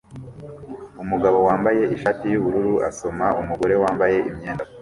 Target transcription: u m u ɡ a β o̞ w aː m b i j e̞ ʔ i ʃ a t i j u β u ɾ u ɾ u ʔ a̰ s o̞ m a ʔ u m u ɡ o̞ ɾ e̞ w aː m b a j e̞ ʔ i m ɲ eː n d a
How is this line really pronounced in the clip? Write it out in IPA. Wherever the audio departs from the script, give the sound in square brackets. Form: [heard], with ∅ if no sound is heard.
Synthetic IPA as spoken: u m u ɡ a β o̞ w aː m b [a] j e̞ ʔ i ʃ a t i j u β u ɾ u ɾ u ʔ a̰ s o̞ m a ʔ u m u ɡ o̞ ɾ e̞ w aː m b a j e̞ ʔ i m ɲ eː n d a